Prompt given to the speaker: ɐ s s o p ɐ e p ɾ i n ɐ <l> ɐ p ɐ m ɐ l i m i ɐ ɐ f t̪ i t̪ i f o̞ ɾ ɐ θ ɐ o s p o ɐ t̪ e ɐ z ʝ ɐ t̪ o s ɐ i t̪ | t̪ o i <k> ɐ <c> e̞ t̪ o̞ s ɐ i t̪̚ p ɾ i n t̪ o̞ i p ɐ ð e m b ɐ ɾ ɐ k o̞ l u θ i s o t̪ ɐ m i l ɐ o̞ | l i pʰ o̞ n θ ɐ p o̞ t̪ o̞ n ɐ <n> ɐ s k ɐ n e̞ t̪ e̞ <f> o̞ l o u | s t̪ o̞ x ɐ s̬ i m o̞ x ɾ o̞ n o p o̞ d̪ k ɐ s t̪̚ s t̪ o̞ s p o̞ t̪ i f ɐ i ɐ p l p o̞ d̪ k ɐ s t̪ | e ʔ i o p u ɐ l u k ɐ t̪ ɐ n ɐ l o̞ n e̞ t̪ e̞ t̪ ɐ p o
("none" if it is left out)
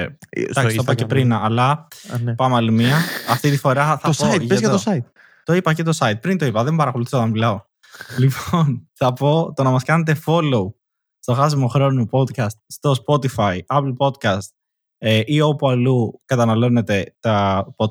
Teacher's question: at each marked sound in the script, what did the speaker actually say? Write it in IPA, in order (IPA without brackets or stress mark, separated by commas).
l, p, c, m, f